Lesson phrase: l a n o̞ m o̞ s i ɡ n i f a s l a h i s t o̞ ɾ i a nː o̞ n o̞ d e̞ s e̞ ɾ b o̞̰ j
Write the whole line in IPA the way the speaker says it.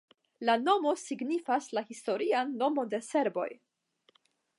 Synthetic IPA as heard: l a n o̞ m o̞ s i ɡ n i f a s l a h i s t o̞ ɾ i a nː o̞ m o̞ d e̞ s e̞ ɾ b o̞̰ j